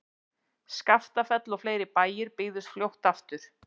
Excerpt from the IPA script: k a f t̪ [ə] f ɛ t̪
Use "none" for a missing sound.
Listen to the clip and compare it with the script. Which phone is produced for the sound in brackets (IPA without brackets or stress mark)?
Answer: a